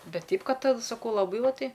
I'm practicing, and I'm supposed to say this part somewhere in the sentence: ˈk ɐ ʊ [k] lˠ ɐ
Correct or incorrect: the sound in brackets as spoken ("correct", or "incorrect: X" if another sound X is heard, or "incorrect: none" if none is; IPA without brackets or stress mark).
incorrect: none